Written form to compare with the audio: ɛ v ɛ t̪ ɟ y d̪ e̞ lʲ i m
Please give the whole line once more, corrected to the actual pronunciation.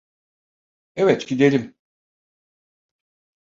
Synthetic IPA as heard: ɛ v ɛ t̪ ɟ i d̪ e̞ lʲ i m